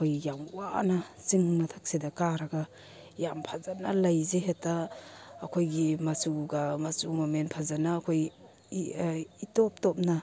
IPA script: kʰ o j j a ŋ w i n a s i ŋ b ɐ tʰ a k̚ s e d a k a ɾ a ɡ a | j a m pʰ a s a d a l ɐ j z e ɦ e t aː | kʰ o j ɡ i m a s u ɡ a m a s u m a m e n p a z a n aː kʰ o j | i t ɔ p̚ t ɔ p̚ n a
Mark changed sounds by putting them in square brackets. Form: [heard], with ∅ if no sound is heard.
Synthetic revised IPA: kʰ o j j a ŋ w [a] n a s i ŋ [m] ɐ tʰ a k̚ s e d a k a ɾ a ɡ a | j a m pʰ a [z] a [n] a l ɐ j z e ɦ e t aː | kʰ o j ɡ i m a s u ɡ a m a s u m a m e n [pʰ] a z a n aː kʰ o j | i t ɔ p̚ t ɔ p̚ n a